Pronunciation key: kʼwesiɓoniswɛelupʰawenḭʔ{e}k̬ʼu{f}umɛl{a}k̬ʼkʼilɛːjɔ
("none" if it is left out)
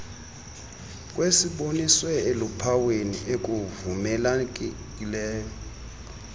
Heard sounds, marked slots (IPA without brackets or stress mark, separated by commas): e, v, a